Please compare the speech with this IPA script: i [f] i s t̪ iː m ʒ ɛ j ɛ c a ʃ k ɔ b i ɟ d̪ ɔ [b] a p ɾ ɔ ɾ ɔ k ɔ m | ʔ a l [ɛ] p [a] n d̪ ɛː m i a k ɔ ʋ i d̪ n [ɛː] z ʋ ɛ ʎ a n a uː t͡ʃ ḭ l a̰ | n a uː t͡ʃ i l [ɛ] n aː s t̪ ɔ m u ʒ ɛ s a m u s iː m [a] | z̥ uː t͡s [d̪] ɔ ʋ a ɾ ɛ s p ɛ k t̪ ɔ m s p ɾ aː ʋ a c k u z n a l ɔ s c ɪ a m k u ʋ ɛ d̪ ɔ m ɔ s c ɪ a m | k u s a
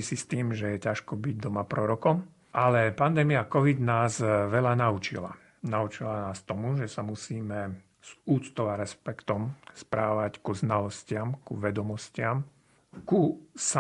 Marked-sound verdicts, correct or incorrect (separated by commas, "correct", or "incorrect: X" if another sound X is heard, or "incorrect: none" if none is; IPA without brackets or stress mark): incorrect: s, incorrect: m, correct, correct, incorrect: aː, incorrect: a, incorrect: ɛ, incorrect: t̪